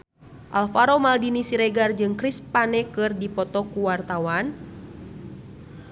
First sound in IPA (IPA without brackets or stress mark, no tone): ʔ